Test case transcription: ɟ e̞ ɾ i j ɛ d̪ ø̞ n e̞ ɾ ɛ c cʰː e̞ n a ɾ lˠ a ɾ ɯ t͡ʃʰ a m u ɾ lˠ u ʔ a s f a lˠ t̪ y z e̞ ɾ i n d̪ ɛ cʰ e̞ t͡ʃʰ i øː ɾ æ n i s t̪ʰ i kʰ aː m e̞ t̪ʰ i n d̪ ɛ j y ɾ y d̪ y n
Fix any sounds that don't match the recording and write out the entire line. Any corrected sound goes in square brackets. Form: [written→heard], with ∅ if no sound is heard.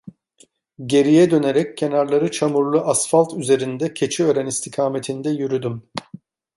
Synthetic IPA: ɟ e̞ ɾ i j ɛ d̪ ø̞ n e̞ ɾ ɛ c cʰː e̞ n a ɾ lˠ a ɾ ɯ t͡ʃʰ a m u ɾ lˠ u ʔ a s f a lˠ t̪ y z e̞ ɾ i n d̪ ɛ cʰ e̞ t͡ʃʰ i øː ɾ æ n i s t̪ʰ i kʰ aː m e̞ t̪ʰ i n d̪ ɛ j y ɾ y d̪ y [n→m]